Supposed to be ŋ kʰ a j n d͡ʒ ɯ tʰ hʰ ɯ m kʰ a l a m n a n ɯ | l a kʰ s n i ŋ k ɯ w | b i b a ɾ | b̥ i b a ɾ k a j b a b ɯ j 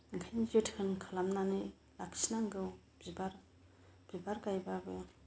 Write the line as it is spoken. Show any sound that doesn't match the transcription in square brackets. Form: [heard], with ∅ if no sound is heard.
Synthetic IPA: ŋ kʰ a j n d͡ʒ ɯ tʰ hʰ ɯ [n] kʰ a l a m n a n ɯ | l a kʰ s n [a] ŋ [ɡ] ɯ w | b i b a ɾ | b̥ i b a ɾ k a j b a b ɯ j